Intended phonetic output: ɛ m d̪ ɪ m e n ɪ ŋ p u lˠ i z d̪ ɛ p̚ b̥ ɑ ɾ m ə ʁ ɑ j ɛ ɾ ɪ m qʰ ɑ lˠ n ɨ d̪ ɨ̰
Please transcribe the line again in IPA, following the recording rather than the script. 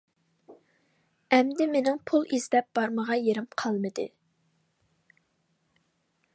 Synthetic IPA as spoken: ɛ m d̪ ɪ m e n ɪ ŋ pʰ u lˠ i z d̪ ɛ p̚ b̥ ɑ ɾ m ə ʁ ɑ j e ɾ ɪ m qʰ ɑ lˠ m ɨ d̪ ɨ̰